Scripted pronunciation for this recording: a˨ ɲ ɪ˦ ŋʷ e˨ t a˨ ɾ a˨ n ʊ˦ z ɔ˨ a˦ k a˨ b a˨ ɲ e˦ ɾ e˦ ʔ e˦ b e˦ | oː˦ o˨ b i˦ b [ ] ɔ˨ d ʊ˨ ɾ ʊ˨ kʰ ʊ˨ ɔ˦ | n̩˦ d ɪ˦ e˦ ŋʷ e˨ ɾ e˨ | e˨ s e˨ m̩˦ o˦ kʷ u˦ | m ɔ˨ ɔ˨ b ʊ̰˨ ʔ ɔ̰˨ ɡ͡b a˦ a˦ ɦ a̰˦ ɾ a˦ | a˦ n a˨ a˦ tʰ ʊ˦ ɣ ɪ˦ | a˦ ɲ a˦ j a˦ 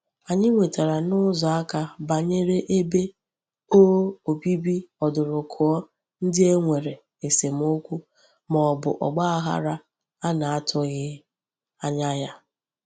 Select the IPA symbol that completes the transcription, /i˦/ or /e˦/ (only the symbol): i˦